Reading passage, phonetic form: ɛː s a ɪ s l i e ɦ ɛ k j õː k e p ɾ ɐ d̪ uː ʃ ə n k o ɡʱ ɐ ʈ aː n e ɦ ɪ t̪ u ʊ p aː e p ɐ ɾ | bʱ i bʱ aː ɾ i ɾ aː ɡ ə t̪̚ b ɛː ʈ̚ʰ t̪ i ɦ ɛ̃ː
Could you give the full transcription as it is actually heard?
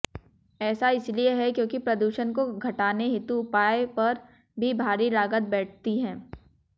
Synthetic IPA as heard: ɛː s a ɪ s l i e ɦ ɛ k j õː k i p ɾ ɐ d̪ uː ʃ ə n k o ɡʱ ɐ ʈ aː n e ɦ ɪ t̪ u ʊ p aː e p ɐ ɾ | bʱ i bʱ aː ɾ i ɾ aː ɡ ə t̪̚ b ɛː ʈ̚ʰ t̪ i ɦ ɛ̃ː